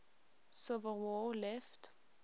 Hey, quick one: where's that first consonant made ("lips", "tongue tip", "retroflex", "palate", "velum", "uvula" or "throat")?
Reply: tongue tip